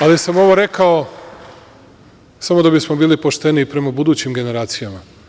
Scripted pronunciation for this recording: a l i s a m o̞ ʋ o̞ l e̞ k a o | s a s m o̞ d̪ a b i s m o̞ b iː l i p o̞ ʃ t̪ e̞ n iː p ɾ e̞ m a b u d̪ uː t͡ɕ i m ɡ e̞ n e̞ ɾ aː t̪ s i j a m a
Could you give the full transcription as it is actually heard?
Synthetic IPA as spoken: a l i s a m o̞ ʋ o̞ ɾ e̞ k a o | s a m o̞ d̪ a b i s m o̞ b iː l i p o̞ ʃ t̪ e̞ n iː p ɾ e̞ m a b u d̪ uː t͡ɕ i m ɡ e̞ n e̞ ɾ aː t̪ s i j a m a

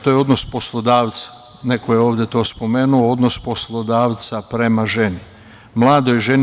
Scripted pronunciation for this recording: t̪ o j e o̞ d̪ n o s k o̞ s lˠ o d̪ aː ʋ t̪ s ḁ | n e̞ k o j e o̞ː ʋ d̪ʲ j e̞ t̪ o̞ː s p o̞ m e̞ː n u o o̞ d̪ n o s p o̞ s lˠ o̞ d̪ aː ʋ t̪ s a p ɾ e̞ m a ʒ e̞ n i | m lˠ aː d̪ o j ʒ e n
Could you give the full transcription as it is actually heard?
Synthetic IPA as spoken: t̪ o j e o̞ d̪ n o s p o̞ s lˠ o d̪ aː ʋ t̪ s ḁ | n e̞ k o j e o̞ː ʋ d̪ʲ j e̞ t̪ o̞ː s p o̞ m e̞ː n u o o̞ d̪ n o s p o̞ s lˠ o̞ d̪ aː ʋ t̪ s a p ɾ e̞ m a ʒ e̞ n i | m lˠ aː d̪ o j ʒ e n

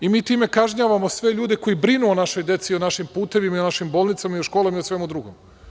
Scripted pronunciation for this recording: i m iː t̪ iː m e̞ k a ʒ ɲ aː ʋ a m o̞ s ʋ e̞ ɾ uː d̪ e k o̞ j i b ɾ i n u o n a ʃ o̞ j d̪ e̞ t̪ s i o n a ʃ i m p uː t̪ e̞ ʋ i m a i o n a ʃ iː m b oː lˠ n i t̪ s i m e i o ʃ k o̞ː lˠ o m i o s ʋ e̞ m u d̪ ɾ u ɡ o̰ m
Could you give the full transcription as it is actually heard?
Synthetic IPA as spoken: i m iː t̪ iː m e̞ k a ʒ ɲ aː ʋ a m o̞ s ʋ e̞ ʎ uː d̪ e k o̞ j i b ɾ i n u o n a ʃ o̞ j d̪ e̞ t̪ s i o n a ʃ i m p uː t̪ e̞ ʋ i m a i o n a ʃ i m b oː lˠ n i t̪ s a m a i o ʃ k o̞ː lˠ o m i o s ʋ e̞ m u d̪ ɾ u ɡ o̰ m

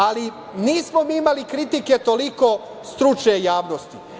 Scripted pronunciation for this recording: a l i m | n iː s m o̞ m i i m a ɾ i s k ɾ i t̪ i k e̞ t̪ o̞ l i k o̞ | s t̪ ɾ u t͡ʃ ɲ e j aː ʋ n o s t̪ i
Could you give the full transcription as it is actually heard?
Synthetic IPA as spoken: a l i | n iː s m o̞ m i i m a l i k ɾ i t̪ i k e̞ t̪ o̞ l i k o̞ | s t̪ ɾ u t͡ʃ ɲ e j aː ʋ n o s t̪ i

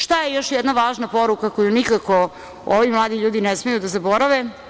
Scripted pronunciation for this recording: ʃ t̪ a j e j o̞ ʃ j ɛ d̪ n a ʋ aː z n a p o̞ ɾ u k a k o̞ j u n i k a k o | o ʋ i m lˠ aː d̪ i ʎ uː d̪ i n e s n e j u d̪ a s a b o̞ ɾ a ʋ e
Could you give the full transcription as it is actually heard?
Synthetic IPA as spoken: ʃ t̪ a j e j o̞ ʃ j ɛ d̪ n a ʋ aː ʒ n a p o̞ ɾ u k a k o̞ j u n i k a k o | o ʋ i m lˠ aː d̪ i ʎ uː d̪ i n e s m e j u d̪ a z a b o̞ ɾ a ʋ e

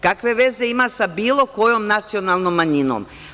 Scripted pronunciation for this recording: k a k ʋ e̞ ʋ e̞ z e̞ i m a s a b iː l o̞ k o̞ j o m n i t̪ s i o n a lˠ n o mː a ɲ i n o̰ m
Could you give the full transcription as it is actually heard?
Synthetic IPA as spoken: k a k ʋ e̞ ʋ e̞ z e̞ i m a s a b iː l o̞ k o̞ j o m n a t̪ s i o n a lˠ n o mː a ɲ i n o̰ m

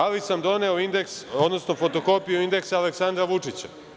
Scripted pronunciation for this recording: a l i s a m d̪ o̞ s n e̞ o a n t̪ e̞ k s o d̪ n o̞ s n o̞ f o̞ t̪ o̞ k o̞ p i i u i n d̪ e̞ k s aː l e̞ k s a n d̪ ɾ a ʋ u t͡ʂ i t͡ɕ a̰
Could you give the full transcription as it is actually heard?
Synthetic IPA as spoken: a l i s a m d̪ o̞ n e̞ o i n d̪ e̞ k s o d̪ n o̞ s n o̞ f o̞ t̪ o̞ k o̞ p i j u i n d̪ e̞ k s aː l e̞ k s a n d̪ ɾ a ʋ u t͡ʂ i t͡ɕ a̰

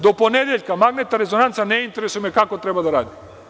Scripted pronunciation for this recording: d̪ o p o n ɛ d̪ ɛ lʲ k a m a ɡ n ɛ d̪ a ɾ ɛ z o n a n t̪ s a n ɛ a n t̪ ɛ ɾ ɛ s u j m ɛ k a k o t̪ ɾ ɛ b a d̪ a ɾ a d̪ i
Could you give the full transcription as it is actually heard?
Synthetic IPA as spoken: d̪ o p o n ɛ d̪ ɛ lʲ k a m a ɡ n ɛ t̪ a ɾ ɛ z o n a n t̪ s a n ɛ i n t̪ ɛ ɾ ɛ s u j m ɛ k a k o t̪ ɾ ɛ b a d̪ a ɾ a d̪ i

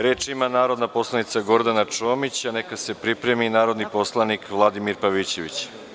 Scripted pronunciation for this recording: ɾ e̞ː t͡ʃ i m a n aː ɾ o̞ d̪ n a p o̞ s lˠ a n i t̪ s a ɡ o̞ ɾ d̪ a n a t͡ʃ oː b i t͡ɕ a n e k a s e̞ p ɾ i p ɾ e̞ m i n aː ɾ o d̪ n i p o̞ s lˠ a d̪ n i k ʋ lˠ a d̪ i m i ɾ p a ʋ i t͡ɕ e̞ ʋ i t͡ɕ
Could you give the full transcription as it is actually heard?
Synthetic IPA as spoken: ɾ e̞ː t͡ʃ i m a n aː ɾ o̞ d̪ n a p o̞ s lˠ a n i t̪ s a ɡ o̞ ɾ d̪ a n a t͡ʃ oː m i t͡ɕ a n e k a s e̞ p ɾ i p ɾ e̞ m i n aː ɾ o d̪ n i p o̞ s lˠ a n i k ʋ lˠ a d̪ i m i ɾ p a ʋ i t͡ɕ e̞ ʋ i t͡ɕ

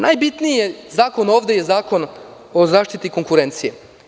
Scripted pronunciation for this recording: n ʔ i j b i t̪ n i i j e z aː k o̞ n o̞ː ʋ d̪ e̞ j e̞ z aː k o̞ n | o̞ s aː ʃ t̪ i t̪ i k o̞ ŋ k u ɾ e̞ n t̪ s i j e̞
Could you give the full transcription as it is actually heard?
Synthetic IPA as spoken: n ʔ a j b i t̪ n i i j e z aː k o̞ n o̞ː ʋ d̪ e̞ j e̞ z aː k o̞ n | o̞ z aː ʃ t̪ i t̪ i k o̞ ŋ k u ɾ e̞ n t̪ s i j e̞

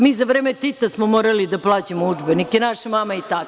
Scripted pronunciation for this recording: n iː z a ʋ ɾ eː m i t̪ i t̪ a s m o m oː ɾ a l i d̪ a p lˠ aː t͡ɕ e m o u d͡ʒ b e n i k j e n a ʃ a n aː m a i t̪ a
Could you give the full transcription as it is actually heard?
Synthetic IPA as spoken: m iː z a ʋ ɾ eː m e t̪ i t̪ a s m o m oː ɾ a l i d̪ a p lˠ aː t͡ɕ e m o u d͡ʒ b e n i k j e n a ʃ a m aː m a i t̪ a

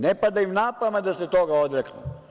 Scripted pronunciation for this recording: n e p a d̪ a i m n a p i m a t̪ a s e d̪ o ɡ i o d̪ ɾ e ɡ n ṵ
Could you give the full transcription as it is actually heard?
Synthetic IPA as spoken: n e p a d̪ a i m n a p a m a d̪ a s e t̪ o ɡ a o d̪ ɾ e k n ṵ

